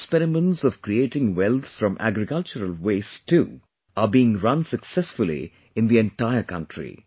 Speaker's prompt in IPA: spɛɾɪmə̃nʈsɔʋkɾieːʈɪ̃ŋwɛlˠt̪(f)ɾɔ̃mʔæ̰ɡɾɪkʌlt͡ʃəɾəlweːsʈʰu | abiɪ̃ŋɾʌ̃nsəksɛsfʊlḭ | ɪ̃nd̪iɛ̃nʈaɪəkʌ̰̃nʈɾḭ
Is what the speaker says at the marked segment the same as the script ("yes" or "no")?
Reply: yes